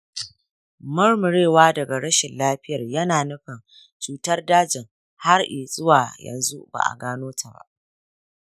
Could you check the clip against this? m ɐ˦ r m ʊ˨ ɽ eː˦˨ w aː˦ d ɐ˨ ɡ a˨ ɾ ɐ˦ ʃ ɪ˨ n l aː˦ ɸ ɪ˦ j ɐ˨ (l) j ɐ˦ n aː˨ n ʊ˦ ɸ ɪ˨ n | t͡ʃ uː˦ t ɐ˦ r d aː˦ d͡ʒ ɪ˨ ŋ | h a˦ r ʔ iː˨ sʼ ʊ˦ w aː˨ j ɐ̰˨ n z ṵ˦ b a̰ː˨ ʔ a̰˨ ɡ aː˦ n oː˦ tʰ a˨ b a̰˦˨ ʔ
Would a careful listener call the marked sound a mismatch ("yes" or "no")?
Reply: yes